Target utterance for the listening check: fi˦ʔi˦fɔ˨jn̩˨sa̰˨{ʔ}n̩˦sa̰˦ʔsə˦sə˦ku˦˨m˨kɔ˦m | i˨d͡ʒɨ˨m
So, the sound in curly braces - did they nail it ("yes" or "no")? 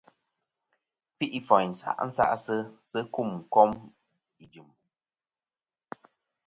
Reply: yes